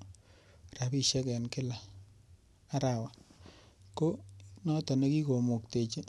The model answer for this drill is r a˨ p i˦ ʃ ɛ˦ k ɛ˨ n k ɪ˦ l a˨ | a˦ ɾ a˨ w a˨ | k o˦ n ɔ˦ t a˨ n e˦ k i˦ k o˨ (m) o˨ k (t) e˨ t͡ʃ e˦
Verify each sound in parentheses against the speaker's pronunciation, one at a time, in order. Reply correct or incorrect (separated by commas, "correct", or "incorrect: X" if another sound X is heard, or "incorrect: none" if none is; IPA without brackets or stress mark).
correct, correct